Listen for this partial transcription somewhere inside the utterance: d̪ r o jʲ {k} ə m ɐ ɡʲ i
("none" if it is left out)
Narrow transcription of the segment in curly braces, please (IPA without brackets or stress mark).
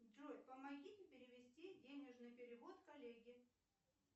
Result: p